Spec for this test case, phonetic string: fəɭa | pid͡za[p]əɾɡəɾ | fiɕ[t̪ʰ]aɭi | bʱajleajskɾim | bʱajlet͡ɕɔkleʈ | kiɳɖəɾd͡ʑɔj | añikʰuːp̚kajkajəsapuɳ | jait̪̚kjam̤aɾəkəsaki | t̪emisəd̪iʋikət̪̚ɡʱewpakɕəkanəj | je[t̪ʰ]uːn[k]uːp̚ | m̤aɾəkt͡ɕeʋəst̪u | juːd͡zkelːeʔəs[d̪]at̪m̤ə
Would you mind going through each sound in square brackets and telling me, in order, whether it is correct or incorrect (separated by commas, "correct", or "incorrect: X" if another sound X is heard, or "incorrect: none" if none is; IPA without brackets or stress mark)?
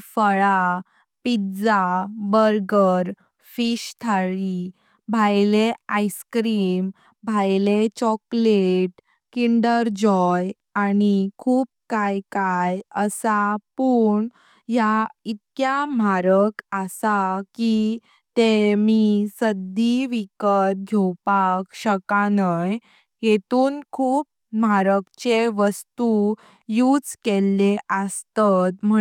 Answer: incorrect: b, correct, incorrect: t̪, incorrect: kʰ, incorrect: t̪